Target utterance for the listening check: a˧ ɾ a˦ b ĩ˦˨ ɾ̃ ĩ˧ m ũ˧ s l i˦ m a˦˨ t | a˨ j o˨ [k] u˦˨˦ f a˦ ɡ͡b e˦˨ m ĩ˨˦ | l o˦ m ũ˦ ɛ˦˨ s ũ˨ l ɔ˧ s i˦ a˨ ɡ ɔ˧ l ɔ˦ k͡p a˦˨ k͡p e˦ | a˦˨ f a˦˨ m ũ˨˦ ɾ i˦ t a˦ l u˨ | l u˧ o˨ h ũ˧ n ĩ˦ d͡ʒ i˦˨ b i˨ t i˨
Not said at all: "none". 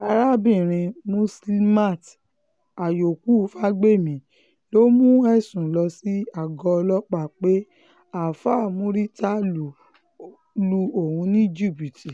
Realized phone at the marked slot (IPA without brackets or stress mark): k